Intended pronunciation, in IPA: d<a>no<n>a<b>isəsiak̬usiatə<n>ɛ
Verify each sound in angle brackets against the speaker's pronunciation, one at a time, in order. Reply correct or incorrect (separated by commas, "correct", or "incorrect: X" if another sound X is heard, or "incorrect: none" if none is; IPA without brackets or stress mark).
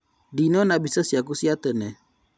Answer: incorrect: i, correct, correct, correct